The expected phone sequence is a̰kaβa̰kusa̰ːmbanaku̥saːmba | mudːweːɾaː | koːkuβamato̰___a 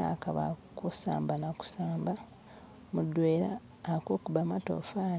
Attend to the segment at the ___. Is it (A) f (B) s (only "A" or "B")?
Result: A